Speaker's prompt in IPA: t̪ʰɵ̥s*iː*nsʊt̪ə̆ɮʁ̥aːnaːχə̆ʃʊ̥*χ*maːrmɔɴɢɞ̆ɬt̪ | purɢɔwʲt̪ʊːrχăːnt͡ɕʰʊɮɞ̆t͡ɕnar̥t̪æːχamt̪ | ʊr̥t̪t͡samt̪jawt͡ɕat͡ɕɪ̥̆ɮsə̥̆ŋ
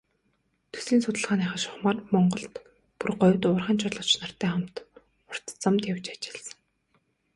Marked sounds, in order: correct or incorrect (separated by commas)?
correct, correct